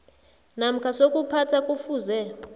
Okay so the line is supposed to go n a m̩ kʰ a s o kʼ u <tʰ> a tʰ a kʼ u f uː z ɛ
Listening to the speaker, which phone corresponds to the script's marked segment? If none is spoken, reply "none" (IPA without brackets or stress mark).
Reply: pʰ